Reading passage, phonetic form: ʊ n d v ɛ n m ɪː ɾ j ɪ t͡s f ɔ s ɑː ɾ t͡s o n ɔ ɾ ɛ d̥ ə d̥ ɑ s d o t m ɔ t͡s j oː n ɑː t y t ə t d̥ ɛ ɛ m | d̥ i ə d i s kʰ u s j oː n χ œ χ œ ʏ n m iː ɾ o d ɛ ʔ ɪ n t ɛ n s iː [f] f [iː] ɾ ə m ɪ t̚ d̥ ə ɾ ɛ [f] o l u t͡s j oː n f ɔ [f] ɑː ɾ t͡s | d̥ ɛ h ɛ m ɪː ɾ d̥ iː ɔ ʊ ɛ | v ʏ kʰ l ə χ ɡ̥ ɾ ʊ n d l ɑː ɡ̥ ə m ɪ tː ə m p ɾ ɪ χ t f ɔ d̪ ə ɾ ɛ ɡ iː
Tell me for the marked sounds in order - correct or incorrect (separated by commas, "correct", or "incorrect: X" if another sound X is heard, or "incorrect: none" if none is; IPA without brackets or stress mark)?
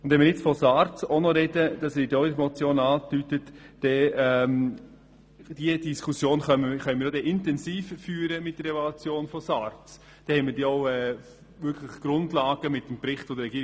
correct, incorrect: yː, incorrect: v, incorrect: s